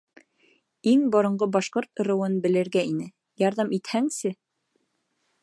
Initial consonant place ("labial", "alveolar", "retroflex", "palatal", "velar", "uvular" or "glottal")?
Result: velar